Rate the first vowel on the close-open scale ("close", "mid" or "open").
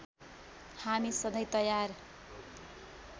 open